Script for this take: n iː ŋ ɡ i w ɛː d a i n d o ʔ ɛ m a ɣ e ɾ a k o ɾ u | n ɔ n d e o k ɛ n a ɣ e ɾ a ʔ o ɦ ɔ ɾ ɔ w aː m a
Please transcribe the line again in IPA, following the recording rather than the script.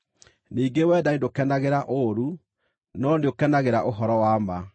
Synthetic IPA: n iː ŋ ɡ e w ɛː d a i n d o k ɛ n a ɣ e ɾ a ʔ o ɾ u | n ɔ n d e o k ɛ n a ɣ e ɾ a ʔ o ɦ ɔ ɾ ɔ w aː m a